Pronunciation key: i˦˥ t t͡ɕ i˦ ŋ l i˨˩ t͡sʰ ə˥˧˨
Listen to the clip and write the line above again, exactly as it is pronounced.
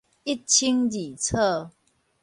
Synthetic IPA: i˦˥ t t͡ɕʰ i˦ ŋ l i˨˩ t͡sʰ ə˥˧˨